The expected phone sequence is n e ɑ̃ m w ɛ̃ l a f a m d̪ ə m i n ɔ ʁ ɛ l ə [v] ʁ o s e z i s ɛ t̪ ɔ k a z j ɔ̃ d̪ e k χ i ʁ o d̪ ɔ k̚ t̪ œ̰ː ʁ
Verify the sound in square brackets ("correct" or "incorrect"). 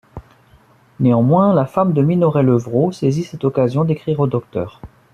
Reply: correct